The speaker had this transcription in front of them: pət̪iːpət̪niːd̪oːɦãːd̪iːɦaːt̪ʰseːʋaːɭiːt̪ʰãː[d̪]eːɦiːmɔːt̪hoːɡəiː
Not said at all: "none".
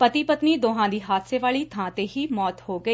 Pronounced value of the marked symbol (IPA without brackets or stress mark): t̪